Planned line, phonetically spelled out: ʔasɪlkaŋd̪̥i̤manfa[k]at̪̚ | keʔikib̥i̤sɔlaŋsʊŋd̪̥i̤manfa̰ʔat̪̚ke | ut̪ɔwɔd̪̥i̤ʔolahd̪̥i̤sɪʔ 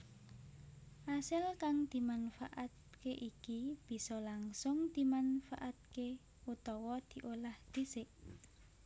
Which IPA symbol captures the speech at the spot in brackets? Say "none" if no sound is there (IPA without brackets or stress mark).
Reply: ʔ